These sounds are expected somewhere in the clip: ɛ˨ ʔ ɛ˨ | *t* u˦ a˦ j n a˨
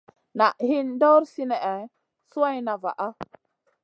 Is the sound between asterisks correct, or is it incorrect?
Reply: incorrect